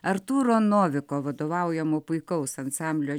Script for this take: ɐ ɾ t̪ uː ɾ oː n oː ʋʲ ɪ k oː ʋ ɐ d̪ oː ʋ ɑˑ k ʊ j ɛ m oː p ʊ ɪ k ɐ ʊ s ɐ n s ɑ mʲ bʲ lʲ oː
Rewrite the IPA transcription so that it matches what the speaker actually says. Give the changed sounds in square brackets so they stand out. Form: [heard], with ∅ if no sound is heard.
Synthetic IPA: ɐ ɾ t̪ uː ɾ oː n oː ʋʲ ɪ k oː ʋ ɐ d̪ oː ʋ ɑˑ [∅] ʊ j ɛ m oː p ʊ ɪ k ɐ ʊ s ɐ n s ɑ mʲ bʲ lʲ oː